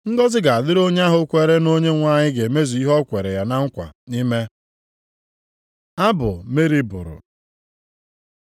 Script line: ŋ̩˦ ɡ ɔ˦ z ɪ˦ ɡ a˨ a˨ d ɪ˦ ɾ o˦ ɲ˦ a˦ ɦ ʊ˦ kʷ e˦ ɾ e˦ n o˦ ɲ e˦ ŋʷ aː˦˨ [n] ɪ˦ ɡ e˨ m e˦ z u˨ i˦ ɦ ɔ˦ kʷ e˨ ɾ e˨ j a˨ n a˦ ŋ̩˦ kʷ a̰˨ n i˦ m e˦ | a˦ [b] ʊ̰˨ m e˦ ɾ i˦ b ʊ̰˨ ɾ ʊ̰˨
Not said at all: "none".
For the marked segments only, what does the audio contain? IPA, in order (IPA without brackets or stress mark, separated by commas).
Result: ɲ, b